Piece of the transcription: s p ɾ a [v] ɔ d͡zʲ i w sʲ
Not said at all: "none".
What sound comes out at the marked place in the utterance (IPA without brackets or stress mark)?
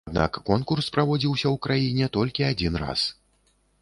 v